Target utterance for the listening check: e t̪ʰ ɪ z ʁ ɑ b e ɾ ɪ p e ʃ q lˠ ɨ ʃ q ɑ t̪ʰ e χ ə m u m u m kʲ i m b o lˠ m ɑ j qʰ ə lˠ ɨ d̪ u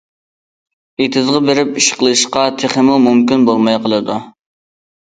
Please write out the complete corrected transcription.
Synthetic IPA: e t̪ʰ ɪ z ʁ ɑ b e ɾ ɪ p i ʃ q lˠ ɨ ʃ q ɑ t̪ʰ e χ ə m u m u m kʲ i n b o lˠ m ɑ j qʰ ə lˠ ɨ d̪ u